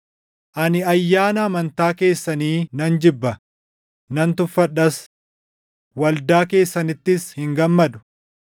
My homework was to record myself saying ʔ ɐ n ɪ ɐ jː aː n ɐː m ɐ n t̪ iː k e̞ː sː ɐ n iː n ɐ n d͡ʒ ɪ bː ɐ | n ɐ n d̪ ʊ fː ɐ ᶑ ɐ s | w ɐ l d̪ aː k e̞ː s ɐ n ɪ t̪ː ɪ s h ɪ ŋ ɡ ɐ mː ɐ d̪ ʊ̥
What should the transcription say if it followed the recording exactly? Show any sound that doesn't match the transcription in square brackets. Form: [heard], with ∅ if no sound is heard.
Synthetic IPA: ʔ ɐ n ɪ ɐ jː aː n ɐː m ɐ n t̪ [aː] k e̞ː sː ɐ n iː n ɐ n d͡ʒ ɪ bː ɐ | n ɐ n [t̪] ʊ fː ɐ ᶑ ɐ s | w ɐ l d̪ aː k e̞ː [sː] ɐ n ɪ t̪ː ɪ s h ɪ ŋ ɡ ɐ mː ɐ d̪ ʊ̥